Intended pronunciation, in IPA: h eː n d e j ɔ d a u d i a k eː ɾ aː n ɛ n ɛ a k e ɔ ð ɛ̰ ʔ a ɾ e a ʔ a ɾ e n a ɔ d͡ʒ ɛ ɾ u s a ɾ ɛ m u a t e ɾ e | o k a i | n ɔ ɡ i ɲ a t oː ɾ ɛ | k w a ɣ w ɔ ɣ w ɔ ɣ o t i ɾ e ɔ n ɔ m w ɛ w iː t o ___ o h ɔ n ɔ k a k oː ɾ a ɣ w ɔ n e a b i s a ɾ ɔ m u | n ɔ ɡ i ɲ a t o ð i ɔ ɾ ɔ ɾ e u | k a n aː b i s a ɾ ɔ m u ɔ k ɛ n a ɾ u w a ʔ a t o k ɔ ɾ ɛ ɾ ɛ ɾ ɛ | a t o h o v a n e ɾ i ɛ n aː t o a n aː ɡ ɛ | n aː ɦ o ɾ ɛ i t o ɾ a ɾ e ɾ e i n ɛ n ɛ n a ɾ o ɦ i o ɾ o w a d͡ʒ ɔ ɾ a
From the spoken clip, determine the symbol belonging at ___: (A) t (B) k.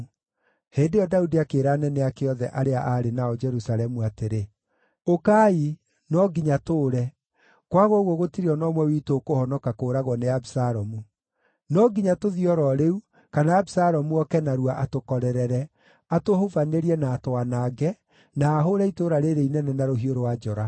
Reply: B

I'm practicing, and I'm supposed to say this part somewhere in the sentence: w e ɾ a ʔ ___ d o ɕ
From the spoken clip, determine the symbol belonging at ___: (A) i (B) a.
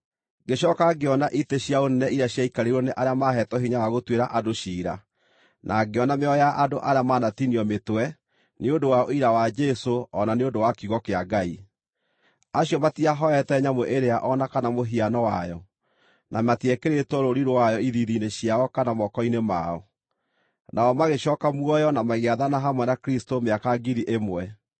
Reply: B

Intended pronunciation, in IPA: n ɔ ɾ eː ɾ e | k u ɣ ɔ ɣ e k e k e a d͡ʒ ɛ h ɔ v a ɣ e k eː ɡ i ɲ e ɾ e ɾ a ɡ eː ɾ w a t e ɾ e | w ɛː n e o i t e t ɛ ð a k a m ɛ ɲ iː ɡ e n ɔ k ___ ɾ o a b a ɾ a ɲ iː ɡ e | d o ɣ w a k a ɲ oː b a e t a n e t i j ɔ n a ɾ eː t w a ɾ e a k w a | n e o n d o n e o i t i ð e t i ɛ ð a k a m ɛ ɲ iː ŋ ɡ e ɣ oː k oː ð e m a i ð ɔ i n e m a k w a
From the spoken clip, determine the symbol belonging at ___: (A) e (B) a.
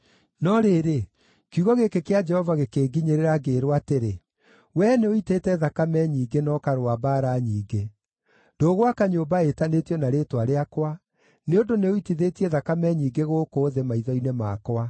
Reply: B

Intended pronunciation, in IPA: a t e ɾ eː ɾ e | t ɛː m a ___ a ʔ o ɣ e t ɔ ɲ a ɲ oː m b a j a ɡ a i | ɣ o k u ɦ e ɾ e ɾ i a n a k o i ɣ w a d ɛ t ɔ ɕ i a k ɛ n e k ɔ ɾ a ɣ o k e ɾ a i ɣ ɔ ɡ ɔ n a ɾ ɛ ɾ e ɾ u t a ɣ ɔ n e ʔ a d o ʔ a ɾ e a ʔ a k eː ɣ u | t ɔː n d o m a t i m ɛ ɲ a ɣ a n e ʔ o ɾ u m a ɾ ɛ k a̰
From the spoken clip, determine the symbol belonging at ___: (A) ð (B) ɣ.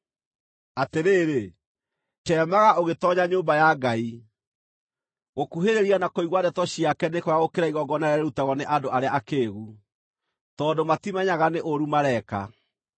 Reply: B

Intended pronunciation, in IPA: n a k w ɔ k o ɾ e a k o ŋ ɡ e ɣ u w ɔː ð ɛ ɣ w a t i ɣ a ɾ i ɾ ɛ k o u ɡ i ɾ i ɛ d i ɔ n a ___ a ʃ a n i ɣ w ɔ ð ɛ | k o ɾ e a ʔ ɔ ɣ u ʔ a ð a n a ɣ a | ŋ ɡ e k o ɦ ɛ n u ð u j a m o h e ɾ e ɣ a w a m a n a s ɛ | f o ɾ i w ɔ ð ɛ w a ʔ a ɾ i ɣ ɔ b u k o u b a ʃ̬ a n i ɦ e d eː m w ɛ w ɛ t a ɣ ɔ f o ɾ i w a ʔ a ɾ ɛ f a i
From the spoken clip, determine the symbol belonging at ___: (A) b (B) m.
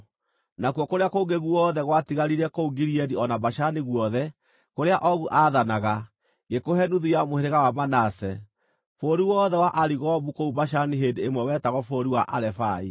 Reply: A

